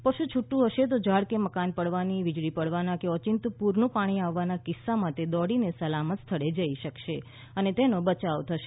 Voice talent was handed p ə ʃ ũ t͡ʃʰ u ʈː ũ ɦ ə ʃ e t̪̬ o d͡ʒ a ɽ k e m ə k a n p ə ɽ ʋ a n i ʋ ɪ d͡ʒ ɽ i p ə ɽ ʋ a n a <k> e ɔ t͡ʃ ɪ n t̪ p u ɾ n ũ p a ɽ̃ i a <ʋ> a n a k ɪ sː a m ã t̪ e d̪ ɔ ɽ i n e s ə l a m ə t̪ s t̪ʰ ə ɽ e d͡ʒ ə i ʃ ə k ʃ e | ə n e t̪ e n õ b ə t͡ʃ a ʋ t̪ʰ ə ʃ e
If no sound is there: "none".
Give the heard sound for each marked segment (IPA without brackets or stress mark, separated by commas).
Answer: k, ʋː